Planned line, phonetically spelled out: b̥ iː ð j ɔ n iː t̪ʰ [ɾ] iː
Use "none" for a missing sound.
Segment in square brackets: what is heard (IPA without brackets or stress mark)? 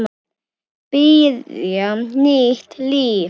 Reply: l